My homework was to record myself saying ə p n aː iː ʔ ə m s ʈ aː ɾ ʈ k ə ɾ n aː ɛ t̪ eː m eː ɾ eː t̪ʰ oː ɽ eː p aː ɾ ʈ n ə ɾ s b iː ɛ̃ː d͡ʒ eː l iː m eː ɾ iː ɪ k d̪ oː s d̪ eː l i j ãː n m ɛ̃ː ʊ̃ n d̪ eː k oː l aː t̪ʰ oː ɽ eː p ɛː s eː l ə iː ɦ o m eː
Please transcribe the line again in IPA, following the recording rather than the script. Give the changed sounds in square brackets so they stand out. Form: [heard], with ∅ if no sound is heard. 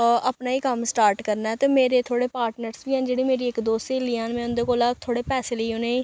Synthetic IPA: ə p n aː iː [k] ə m s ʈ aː ɾ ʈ k ə ɾ n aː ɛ t̪ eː m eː ɾ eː t̪ʰ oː ɽ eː p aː ɾ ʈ n ə ɾ s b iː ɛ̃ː d͡ʒ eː [ɽ] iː m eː ɾ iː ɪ k d̪ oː s [t̪] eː l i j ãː n m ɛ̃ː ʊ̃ n d̪ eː k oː l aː t̪ʰ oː ɽ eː p ɛː s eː l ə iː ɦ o [n] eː